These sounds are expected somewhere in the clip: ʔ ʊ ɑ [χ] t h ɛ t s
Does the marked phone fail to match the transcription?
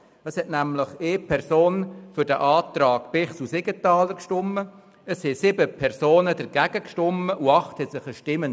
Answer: no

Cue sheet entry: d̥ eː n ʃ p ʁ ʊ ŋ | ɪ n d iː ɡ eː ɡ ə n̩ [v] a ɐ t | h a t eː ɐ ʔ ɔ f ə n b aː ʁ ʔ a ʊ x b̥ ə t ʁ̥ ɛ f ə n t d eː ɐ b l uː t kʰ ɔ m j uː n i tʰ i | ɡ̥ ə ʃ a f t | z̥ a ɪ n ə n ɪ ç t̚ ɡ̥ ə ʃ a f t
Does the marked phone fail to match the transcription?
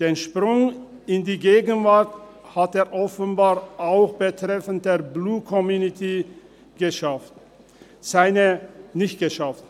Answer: no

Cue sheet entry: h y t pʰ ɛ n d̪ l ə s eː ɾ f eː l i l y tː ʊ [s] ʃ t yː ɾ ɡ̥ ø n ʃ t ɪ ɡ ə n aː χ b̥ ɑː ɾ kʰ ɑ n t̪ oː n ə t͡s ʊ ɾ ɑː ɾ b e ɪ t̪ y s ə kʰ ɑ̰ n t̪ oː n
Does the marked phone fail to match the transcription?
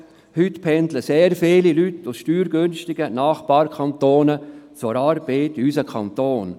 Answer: no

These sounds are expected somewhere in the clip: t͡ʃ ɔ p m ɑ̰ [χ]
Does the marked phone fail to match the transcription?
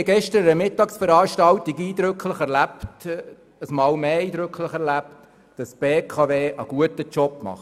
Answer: no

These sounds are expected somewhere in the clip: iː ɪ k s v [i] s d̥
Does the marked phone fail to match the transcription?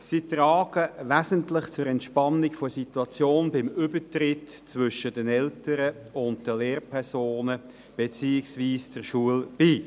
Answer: yes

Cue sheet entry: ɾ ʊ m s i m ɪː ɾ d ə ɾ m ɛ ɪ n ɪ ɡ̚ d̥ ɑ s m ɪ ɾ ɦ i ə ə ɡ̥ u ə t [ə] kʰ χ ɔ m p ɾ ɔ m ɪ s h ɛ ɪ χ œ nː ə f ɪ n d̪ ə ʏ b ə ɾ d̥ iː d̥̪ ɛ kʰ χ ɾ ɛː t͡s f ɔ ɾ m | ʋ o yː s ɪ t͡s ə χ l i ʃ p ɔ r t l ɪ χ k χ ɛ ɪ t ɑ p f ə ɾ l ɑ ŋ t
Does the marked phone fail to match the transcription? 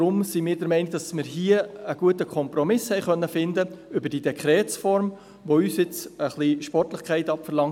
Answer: no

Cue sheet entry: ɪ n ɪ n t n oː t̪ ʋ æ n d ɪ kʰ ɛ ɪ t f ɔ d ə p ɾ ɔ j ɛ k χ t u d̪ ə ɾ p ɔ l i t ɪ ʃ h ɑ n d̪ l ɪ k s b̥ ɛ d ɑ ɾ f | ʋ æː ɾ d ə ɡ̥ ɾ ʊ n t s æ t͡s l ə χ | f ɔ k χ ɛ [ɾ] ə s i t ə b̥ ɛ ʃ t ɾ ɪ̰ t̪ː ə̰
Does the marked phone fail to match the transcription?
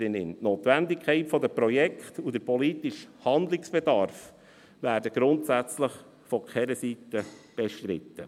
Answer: no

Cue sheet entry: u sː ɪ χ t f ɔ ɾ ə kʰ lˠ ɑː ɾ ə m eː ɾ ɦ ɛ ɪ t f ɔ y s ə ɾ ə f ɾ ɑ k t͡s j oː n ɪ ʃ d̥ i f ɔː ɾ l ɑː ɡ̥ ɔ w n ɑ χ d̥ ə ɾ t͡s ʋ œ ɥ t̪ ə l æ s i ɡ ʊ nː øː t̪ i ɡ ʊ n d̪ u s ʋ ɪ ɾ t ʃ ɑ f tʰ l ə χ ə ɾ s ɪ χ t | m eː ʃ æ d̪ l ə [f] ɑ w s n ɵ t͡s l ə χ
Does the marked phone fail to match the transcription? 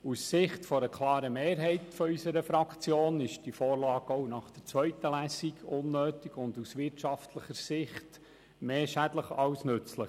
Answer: yes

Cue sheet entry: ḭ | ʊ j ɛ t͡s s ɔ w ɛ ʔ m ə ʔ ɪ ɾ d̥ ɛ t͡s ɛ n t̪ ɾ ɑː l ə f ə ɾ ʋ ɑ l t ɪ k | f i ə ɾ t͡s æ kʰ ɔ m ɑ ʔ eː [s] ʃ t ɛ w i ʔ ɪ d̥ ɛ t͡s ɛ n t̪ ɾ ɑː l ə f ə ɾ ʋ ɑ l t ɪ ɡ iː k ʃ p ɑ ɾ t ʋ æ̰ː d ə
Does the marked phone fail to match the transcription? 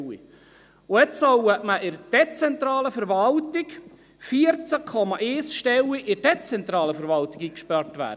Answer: no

